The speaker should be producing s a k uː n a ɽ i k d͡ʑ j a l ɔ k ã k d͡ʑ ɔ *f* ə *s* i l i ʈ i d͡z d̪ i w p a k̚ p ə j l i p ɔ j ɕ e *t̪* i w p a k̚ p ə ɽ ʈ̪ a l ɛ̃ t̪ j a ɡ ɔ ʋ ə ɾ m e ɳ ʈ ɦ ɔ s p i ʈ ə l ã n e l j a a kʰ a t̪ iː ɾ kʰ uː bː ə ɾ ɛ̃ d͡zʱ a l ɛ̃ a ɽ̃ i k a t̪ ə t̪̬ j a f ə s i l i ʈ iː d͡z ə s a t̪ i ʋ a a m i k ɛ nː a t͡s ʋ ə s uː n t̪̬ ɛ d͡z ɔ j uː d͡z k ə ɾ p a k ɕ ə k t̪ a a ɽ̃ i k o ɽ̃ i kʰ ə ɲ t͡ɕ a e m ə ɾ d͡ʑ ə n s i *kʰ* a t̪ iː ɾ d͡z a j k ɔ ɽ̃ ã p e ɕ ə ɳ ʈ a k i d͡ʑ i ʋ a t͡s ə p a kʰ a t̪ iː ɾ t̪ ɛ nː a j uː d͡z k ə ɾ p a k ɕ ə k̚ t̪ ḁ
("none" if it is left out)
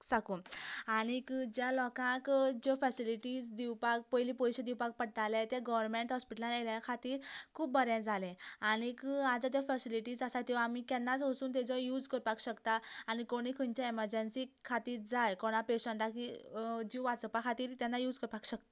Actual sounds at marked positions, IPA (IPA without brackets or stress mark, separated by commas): f, s, d̪, kʰ